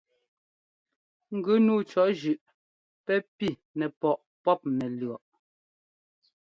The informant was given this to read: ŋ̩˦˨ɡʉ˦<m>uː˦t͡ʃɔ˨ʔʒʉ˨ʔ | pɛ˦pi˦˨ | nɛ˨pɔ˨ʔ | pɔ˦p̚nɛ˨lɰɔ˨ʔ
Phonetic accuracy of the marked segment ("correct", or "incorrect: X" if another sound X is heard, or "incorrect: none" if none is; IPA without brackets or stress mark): incorrect: n